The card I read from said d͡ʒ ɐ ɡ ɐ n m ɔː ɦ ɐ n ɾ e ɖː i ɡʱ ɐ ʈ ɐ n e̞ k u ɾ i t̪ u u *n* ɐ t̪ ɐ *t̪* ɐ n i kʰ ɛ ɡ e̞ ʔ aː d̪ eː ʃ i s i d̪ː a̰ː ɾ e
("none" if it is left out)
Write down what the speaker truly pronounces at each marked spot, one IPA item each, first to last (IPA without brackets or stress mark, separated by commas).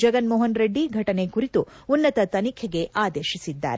nː, t̪